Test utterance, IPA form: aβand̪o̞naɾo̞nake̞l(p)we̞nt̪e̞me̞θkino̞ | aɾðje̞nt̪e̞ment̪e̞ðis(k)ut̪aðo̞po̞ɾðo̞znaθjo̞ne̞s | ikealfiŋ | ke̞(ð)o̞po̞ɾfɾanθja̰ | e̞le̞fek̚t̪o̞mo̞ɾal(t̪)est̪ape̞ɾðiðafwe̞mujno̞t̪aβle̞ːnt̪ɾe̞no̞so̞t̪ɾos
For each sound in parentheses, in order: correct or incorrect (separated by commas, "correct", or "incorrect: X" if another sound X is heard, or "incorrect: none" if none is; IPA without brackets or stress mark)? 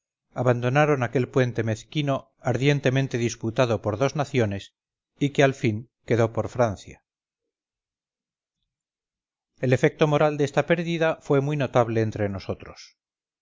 correct, incorrect: p, correct, incorrect: d̪